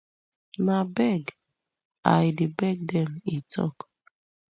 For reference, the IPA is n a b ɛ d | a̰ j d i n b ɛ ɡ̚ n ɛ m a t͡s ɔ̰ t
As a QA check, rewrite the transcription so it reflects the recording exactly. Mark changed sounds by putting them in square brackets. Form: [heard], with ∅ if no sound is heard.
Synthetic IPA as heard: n a b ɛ [ɡ] | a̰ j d i [∅] b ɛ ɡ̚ [d] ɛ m [i] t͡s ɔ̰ [k]